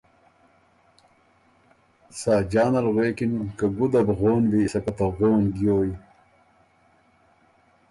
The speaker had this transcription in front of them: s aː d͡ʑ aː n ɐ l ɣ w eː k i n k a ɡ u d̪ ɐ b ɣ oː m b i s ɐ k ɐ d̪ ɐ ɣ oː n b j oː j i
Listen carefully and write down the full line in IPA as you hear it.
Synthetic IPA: s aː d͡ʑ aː n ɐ l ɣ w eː k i n k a ɡ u d̪ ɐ b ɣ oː n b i s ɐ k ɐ t̪ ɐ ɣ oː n ɡ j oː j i